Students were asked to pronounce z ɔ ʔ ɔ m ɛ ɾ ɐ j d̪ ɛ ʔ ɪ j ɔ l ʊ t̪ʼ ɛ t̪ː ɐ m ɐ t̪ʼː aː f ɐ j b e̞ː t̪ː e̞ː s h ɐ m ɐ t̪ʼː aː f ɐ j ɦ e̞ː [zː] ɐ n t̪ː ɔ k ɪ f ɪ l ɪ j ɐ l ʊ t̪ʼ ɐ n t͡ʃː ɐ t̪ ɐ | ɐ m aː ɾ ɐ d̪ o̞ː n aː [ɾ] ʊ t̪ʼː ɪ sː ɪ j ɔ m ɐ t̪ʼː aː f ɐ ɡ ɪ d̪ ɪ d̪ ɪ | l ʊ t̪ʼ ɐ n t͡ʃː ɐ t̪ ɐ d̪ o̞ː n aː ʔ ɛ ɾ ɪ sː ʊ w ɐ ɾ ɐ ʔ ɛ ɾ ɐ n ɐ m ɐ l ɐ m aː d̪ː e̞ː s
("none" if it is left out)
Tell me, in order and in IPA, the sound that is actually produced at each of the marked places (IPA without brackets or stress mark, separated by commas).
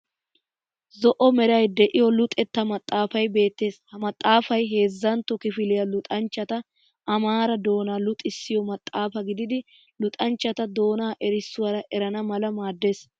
zː, l